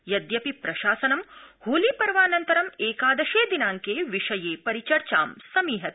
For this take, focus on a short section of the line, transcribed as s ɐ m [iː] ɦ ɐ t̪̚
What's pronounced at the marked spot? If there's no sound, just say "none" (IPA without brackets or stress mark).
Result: iː